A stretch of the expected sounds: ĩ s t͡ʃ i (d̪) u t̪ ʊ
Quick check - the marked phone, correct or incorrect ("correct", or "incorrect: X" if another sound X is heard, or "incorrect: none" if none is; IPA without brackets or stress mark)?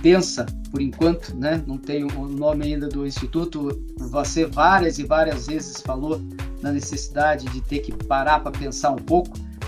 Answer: incorrect: t̪